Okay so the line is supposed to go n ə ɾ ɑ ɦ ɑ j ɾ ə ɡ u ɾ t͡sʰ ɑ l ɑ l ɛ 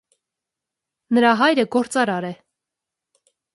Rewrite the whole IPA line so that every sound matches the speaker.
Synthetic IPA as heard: n ə ɾ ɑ ɦ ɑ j ɾ ə ɡ ɔ ɾ t͡s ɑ ɾ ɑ ɾ ɛ